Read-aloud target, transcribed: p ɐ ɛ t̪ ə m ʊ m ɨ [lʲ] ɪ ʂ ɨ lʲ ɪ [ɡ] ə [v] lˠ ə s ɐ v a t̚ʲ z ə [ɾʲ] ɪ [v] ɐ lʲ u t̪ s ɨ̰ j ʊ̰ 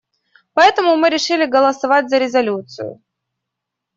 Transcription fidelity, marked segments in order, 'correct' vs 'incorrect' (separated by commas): incorrect, correct, incorrect, correct, incorrect